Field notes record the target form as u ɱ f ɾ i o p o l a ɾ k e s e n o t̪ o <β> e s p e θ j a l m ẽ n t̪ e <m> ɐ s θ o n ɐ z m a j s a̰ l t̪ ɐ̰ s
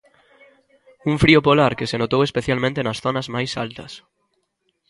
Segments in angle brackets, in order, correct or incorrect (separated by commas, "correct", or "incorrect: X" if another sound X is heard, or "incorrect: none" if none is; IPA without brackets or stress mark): incorrect: w, incorrect: n